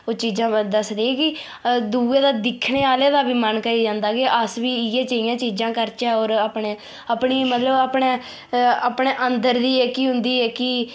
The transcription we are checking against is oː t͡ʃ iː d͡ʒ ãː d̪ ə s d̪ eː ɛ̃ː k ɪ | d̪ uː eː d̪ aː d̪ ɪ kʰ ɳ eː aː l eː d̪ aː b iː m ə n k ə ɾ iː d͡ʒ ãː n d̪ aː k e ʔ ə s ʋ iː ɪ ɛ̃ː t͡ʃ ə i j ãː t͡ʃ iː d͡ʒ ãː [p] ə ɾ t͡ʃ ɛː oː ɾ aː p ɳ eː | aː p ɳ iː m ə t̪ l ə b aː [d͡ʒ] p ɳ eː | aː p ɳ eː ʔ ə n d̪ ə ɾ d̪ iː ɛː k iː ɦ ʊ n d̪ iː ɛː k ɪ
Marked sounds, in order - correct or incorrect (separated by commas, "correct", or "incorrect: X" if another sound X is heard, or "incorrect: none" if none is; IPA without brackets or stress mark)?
incorrect: k, incorrect: none